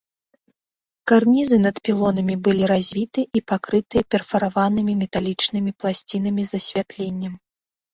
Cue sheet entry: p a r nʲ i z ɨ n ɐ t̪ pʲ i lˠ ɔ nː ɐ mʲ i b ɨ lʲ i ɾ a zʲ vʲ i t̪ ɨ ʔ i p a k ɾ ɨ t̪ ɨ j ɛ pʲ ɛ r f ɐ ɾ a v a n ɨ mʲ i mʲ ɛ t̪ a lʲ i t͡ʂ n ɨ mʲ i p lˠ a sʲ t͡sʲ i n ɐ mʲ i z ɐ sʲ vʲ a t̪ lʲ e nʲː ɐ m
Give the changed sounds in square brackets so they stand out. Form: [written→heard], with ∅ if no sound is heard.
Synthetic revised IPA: [p→k] a r nʲ i z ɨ n ɐ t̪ pʲ i lˠ ɔ [nː→n] ɐ mʲ i b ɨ lʲ i ɾ a zʲ vʲ i t̪ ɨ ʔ i p a k ɾ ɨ t̪ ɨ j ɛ pʲ ɛ r f ɐ ɾ a v a n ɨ mʲ i mʲ ɛ t̪ a lʲ i t͡ʂ n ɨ mʲ i p lˠ a sʲ t͡sʲ i n ɐ mʲ i z ɐ sʲ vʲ a t̪ lʲ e nʲː ɐ m

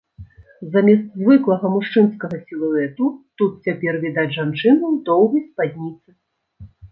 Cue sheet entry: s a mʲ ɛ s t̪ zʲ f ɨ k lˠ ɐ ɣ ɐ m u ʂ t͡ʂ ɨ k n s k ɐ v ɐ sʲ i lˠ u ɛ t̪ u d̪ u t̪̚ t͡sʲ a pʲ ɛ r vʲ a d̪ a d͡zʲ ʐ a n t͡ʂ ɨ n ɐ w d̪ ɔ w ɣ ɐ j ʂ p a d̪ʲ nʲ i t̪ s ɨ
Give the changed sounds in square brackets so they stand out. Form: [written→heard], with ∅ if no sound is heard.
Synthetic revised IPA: [s→z] a mʲ ɛ s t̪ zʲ [f→v] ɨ k lˠ ɐ ɣ ɐ m u ʂ t͡ʂ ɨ [k→∅] n s k ɐ [v→ɣ] ɐ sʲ i lˠ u ɛ t̪ u [d̪→t̪] u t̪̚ t͡sʲ a pʲ ɛ r vʲ [a→i] d̪ a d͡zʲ ʐ a n t͡ʂ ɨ n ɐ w d̪ ɔ w ɣ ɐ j [ʂ→s] p a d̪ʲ nʲ i t̪ s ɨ

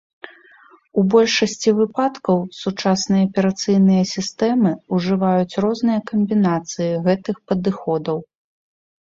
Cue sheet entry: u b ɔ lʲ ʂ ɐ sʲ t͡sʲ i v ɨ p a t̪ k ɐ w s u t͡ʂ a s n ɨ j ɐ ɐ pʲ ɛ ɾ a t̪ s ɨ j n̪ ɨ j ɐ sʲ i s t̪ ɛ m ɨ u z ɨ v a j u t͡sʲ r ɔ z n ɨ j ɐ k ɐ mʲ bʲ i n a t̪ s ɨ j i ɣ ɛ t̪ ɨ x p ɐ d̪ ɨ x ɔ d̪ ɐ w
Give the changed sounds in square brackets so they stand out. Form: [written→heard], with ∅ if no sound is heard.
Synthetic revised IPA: u b ɔ lʲ ʂ ɐ sʲ t͡sʲ i v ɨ p a t̪ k ɐ w s u t͡ʂ a s n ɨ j ɐ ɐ pʲ ɛ ɾ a t̪ s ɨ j n̪ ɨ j ɐ sʲ i s t̪ ɛ m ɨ u [z→ʐ] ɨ v a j u t͡sʲ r ɔ z n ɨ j ɐ k ɐ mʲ bʲ i n a t̪ s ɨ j i ɣ ɛ t̪ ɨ x p ɐ d̪ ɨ x ɔ d̪ ɐ w

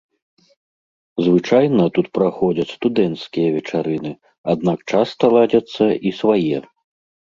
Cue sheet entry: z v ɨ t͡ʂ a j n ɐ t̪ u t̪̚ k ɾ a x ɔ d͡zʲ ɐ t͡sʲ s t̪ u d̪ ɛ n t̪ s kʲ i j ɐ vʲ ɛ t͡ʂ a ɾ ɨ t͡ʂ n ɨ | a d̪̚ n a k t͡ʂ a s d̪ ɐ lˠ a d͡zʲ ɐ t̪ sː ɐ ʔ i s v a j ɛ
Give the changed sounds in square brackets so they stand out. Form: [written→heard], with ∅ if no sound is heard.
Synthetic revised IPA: z v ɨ t͡ʂ a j n ɐ t̪ u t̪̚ [k→p] ɾ a x ɔ d͡zʲ ɐ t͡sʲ s t̪ u d̪ ɛ n t̪ s kʲ i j ɐ vʲ ɛ t͡ʂ a ɾ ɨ [t͡ʂ→∅] n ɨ | a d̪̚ n a k t͡ʂ a s [d̪→t̪] ɐ lˠ a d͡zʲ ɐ t̪ sː ɐ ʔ i s v a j ɛ

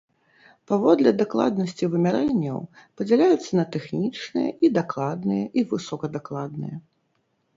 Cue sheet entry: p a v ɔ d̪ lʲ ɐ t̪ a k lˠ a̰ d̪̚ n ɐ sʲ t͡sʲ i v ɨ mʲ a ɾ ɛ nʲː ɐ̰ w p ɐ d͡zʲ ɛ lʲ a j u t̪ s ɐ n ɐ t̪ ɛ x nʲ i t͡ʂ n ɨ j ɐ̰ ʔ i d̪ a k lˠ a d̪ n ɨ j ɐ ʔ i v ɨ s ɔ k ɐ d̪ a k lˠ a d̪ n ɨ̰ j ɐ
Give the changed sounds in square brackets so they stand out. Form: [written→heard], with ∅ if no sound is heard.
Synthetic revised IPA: p a v ɔ d̪ lʲ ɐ [t̪→d̪] a k lˠ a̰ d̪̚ n ɐ sʲ t͡sʲ i v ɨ mʲ a ɾ ɛ nʲː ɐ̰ w p ɐ d͡zʲ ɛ lʲ a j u t̪ [s→sː] ɐ n ɐ t̪ ɛ x nʲ i t͡ʂ n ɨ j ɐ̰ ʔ i d̪ a k lˠ a d̪ n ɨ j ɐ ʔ i v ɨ s ɔ k ɐ d̪ a k lˠ a d̪ n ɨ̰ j ɐ

